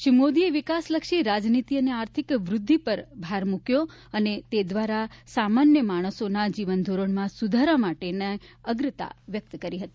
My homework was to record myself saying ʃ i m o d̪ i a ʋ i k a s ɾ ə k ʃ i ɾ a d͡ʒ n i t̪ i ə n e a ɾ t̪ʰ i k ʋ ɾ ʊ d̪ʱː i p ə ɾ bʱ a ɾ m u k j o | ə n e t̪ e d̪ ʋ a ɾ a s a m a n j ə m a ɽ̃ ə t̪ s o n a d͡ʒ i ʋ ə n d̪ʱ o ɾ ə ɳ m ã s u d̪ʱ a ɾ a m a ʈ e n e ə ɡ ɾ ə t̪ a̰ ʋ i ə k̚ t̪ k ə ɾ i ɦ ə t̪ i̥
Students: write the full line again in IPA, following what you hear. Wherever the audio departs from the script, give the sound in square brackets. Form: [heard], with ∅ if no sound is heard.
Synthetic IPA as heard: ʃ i m o d̪ i [e] ʋ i k a s [l] ə k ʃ i ɾ a d͡ʒ n i t̪ i ə n e a ɾ t̪ʰ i k ʋ ɾ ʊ d̪ʱː i p ə ɾ bʱ a ɾ m u k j o | ə n e t̪ e d̪ ʋ a ɾ a s a m a n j ə m a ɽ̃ ə [∅] s o n a d͡ʒ i ʋ ə n d̪ʱ o ɾ ə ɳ m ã s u d̪ʱ a ɾ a m a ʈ e n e ə ɡ ɾ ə t̪ a̰ ʋ [j] ə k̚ t̪ k ə ɾ i ɦ ə t̪ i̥